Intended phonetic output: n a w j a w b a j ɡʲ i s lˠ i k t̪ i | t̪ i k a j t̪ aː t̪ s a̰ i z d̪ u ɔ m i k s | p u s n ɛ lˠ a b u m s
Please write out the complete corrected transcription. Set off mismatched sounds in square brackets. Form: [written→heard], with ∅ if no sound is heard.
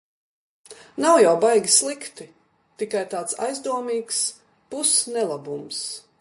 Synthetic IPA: n a w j a w b a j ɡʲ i s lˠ i k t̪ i | t̪ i k a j t̪ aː t̪ s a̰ [i→j] z d̪ u ɔ m [i→iː] k s | p u s n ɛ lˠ a b u m s